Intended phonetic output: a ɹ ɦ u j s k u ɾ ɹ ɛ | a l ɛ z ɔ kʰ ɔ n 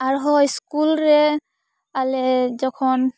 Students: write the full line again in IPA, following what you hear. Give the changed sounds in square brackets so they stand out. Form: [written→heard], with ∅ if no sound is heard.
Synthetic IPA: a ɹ ɦ [u→ɔ] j s k u [ɾ→l] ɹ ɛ | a l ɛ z ɔ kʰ ɔ n